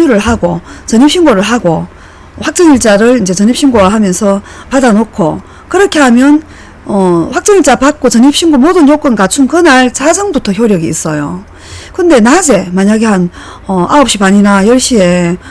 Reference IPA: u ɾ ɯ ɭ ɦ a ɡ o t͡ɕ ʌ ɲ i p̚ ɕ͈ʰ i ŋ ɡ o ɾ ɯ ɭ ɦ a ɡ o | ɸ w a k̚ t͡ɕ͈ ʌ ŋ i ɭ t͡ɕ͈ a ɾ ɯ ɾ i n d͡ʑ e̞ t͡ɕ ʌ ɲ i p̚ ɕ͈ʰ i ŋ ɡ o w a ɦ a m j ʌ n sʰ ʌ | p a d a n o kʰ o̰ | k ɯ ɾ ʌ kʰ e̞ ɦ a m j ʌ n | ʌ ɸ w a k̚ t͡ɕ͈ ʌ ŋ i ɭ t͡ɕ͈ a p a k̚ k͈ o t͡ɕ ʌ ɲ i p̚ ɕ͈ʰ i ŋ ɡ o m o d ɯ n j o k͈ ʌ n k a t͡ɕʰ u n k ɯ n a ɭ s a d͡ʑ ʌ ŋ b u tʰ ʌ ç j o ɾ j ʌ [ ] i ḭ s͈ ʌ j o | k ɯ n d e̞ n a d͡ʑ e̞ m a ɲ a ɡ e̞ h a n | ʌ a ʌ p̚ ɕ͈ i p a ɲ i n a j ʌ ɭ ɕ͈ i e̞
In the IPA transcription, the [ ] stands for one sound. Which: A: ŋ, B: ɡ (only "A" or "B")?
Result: B